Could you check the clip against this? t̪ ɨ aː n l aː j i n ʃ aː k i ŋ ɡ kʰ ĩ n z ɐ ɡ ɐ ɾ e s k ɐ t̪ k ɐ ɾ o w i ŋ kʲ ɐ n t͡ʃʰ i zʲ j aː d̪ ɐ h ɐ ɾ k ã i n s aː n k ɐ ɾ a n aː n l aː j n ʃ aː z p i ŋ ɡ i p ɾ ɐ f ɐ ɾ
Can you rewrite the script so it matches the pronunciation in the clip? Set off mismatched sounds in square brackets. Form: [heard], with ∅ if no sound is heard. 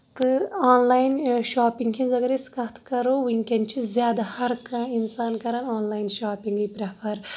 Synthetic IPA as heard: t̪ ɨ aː n l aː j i n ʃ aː [p] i ŋ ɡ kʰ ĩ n z ɐ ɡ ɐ ɾ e s k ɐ t̪ k ɐ ɾ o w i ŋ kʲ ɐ n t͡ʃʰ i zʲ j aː d̪ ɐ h ɐ ɾ k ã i n s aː n k ɐ ɾ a n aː n l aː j n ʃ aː [∅] p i ŋ ɡ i p ɾ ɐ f ɐ ɾ